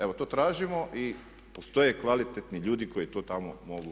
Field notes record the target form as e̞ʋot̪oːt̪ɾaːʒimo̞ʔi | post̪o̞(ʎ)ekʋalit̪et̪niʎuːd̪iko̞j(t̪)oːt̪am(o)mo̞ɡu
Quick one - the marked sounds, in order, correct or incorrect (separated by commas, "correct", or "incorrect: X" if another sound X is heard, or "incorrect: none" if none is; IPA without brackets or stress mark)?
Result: incorrect: j, correct, correct